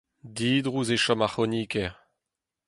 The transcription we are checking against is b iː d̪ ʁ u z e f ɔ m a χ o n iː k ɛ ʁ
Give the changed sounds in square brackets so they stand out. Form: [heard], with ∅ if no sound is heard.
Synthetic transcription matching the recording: [d] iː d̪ ʁ u z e [ʃ] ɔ m a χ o n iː k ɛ ʁ